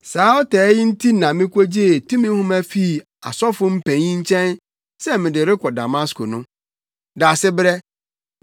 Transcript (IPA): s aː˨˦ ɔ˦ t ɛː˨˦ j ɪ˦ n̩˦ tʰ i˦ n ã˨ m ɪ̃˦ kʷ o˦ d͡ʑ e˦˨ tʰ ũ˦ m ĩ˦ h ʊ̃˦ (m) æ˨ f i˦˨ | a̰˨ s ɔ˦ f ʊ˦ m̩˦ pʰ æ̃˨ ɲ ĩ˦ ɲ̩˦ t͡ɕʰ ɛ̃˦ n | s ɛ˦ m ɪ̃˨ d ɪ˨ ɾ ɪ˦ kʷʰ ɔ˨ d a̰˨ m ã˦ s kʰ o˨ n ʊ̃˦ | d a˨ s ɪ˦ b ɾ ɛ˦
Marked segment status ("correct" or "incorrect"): correct